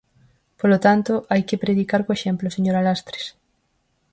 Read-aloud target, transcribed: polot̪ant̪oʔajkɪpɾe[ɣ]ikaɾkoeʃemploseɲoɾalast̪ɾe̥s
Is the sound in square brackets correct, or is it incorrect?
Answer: incorrect: ð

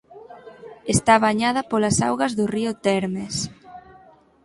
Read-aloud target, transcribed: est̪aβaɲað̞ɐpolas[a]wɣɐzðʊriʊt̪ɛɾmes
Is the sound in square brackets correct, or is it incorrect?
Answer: correct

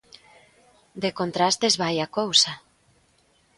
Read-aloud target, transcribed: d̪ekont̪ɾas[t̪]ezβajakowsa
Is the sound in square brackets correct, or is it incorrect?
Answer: correct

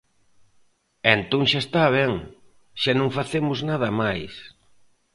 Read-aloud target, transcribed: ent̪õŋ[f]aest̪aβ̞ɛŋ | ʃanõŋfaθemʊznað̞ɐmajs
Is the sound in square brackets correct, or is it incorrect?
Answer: incorrect: ʃ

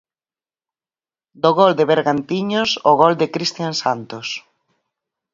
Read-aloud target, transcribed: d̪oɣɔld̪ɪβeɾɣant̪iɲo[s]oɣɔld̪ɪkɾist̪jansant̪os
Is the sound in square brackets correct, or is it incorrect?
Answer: correct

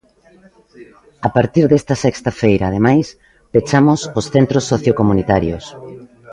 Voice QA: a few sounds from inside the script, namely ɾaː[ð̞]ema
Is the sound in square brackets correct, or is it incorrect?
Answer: correct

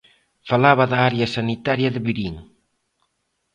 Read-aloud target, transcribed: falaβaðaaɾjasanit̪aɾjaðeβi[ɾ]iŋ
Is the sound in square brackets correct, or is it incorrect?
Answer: correct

